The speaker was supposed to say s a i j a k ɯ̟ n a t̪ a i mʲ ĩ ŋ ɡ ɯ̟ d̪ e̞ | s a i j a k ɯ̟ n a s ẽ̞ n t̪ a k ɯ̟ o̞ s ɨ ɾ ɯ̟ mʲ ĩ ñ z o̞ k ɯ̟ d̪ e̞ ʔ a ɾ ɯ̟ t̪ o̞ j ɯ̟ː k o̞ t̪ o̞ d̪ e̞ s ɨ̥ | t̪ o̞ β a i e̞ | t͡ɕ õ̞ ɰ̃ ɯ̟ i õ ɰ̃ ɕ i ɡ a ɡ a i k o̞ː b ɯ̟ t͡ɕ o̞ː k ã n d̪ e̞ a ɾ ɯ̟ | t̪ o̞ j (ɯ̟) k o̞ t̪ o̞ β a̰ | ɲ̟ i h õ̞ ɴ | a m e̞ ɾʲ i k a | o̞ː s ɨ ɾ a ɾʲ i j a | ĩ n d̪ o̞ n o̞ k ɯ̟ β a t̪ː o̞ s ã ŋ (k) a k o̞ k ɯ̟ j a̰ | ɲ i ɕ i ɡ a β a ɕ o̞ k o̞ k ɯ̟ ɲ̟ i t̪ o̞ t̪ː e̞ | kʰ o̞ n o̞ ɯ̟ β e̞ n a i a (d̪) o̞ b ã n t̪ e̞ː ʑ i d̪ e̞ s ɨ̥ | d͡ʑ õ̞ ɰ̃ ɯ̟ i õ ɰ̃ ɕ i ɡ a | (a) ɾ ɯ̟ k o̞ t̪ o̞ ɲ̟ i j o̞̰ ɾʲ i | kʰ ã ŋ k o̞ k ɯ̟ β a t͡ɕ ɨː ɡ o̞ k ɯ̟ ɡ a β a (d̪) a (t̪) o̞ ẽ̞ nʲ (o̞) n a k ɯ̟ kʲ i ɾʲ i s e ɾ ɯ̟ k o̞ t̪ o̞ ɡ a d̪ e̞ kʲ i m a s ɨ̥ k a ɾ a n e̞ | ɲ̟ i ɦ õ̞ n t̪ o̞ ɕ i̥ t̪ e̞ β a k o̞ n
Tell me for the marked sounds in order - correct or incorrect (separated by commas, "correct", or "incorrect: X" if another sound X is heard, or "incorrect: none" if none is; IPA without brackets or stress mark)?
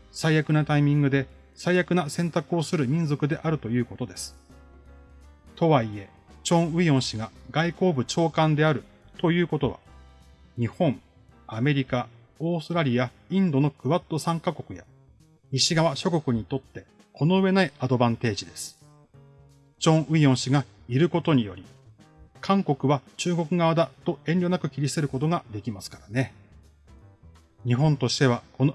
incorrect: ɯ̟ː, correct, correct, incorrect: i, correct, correct, correct